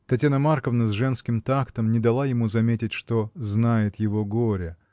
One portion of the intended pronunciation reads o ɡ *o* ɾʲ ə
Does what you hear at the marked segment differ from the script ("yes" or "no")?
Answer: no